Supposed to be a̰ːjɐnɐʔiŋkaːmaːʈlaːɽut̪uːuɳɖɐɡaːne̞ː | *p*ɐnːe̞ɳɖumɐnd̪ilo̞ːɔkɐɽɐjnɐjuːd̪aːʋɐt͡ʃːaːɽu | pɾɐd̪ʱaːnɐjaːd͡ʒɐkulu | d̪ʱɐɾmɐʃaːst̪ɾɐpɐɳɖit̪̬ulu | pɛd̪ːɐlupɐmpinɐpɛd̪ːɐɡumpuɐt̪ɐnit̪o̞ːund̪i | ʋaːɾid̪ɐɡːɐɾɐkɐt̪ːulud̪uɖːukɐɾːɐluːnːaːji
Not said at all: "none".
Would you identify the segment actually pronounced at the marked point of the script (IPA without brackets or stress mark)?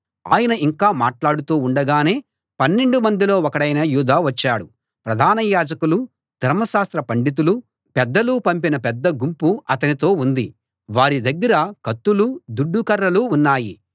p